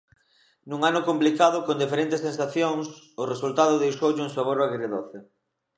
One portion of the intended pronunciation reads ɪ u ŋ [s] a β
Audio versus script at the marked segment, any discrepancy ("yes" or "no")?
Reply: no